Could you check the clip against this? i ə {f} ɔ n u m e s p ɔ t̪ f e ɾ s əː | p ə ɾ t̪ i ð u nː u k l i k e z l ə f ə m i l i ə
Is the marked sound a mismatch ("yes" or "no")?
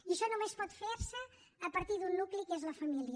yes